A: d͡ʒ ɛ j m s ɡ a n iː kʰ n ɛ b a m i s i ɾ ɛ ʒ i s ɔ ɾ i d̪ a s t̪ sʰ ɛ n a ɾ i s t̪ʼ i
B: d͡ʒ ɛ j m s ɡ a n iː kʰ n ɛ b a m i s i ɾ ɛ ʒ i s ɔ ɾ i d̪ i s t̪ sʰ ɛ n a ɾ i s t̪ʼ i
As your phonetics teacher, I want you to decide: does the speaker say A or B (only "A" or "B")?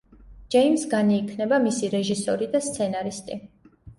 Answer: A